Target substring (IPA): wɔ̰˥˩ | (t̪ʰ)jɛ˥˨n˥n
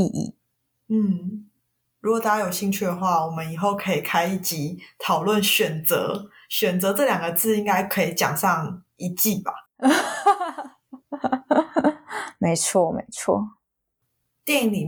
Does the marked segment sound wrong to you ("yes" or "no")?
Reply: yes